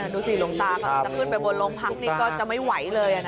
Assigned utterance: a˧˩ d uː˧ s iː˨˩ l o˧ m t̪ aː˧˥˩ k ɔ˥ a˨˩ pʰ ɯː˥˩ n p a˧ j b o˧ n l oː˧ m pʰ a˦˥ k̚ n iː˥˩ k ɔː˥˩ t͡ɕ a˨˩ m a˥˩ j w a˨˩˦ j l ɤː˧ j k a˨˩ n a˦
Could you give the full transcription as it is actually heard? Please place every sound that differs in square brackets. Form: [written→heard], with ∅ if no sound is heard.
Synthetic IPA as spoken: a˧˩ d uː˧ s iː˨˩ l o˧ [m→ŋ] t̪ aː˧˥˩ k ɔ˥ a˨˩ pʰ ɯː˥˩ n p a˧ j b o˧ n l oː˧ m pʰ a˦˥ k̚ n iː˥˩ k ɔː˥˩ t͡ɕ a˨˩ m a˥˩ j w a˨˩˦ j l ɤː˧ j [k→ʔ] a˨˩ n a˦